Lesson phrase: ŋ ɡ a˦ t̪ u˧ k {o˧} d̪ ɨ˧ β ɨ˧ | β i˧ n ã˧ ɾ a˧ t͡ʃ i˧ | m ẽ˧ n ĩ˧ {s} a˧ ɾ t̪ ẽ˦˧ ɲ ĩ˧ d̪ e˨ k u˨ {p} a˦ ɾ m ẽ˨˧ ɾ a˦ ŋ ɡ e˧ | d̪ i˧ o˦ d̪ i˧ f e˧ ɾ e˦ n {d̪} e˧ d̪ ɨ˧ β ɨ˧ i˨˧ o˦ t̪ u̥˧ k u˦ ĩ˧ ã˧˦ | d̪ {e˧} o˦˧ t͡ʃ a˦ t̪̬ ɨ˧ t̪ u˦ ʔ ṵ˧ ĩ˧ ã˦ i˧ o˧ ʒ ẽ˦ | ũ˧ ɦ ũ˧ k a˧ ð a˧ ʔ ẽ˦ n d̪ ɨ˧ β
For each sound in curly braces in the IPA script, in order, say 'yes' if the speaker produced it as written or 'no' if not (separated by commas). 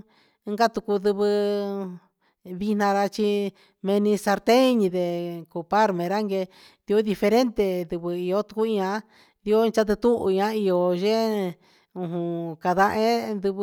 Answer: no, yes, yes, no, no